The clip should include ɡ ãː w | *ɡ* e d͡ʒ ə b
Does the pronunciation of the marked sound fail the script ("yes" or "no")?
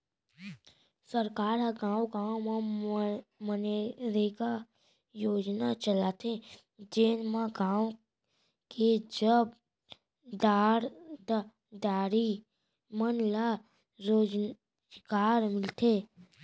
yes